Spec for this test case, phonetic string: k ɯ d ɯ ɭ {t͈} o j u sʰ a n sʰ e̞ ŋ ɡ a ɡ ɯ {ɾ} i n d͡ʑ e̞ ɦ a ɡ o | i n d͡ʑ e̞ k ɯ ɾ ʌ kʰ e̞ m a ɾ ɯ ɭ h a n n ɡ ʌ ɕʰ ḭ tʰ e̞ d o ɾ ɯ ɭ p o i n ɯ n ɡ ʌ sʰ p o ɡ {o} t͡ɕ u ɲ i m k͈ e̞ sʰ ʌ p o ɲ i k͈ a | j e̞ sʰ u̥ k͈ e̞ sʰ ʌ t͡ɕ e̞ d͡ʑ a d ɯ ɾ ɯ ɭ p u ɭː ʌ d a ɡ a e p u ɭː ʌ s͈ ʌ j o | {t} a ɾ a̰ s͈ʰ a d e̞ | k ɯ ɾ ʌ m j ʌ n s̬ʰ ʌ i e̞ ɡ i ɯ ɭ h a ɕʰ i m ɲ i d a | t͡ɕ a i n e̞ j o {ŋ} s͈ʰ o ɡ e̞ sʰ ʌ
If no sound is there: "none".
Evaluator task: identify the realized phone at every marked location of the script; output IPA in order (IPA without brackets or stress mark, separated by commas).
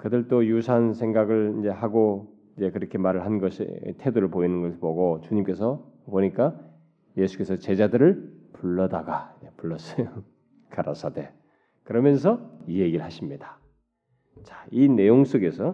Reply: t͈, ɭ, o, k, ŋ